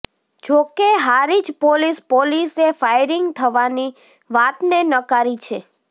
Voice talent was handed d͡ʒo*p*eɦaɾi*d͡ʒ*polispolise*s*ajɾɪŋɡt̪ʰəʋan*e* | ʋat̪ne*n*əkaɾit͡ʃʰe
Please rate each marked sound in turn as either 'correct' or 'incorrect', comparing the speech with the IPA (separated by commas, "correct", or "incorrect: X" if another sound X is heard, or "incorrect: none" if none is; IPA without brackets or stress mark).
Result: incorrect: k, correct, incorrect: f, incorrect: i, correct